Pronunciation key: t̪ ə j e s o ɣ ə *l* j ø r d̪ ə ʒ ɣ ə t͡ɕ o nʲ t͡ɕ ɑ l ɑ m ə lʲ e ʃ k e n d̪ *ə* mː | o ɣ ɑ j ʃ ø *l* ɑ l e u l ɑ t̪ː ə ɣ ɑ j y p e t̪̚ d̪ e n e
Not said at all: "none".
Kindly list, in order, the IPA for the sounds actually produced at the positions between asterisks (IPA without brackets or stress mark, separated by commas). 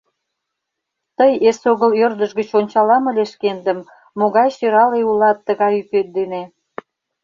l, ə, ɾ